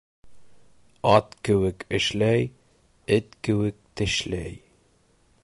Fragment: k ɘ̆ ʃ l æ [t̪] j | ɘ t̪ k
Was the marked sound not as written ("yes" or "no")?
yes